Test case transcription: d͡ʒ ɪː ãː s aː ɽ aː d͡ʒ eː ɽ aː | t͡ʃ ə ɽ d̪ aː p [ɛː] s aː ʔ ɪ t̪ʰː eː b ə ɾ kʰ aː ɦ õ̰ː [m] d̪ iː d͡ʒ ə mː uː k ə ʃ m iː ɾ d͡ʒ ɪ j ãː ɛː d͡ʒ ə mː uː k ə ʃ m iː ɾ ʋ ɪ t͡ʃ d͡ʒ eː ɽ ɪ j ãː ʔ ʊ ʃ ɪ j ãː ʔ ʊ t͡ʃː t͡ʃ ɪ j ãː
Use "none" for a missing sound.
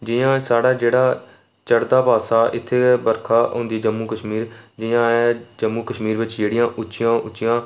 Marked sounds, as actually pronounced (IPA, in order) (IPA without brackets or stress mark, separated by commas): aː, n